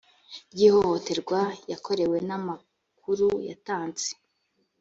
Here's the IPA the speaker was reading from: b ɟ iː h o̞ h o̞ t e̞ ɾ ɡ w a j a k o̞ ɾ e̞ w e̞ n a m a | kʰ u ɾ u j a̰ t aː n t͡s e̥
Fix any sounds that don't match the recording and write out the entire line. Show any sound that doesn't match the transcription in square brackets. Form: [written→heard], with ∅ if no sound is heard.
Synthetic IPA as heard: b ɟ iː h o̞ h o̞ t e̞ ɾ ɡ w a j a k o̞ ɾ e̞ w e̞ n a m a | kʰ u ɾ u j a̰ t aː n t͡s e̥